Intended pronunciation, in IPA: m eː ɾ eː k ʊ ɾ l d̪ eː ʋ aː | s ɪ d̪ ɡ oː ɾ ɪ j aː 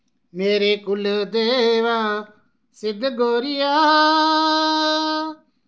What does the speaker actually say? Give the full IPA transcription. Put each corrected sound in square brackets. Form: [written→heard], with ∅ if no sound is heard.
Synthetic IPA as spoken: m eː ɾ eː k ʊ [ɾ→∅] l d̪ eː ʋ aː | s ɪ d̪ ɡ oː ɾ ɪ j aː